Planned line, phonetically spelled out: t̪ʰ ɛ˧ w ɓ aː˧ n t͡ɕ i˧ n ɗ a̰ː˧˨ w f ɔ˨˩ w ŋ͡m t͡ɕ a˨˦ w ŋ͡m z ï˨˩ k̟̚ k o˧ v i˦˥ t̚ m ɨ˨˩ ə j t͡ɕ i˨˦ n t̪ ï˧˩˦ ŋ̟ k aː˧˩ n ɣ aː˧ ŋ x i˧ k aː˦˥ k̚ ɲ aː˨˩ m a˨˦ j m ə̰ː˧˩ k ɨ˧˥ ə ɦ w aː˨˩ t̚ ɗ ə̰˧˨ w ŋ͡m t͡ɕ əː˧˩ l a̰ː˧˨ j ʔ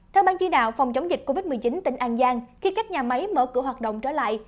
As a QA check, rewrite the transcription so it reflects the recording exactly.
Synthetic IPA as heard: t̪ʰ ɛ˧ w ɓ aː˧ n t͡ɕ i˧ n ɗ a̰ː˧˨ w f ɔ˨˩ w ŋ͡m t͡ɕ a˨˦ w ŋ͡m z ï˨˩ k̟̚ k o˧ v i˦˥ t̚ m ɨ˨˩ ə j t͡ɕ i˨˦ n t̪ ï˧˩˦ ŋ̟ ʔ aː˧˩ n z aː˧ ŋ x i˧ k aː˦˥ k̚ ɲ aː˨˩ m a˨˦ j m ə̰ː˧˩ k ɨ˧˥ ə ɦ w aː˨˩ t̚ ɗ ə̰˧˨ w ŋ͡m t͡ɕ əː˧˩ l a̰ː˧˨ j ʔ